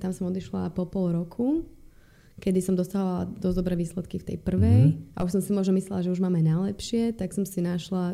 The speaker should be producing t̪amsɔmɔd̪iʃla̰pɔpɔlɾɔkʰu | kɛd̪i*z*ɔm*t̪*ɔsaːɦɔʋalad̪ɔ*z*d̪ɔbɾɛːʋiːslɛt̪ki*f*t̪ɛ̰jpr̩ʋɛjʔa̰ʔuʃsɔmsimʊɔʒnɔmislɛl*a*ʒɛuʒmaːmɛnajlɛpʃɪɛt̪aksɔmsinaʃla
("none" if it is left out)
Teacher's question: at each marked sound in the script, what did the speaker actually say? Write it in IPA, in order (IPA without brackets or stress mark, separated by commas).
s, d̪, z, f, a